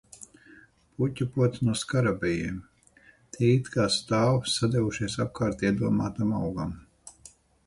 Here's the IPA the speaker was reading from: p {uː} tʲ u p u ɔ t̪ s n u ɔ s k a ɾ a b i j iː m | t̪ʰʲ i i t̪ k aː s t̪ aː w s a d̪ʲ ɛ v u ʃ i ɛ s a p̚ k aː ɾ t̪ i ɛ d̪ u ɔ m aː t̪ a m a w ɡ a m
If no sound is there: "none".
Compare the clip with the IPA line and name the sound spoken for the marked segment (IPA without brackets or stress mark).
u